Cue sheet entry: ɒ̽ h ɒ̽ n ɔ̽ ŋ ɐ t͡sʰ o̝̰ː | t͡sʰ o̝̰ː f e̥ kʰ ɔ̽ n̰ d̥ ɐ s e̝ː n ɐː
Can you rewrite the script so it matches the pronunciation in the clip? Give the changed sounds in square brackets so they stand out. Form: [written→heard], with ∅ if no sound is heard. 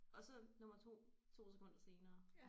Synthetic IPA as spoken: ɒ̽ [h→s] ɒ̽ n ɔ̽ [ŋ→m] ɐ t͡sʰ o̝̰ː | t͡sʰ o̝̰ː [f→s] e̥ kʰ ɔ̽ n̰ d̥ ɐ s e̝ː n ɐː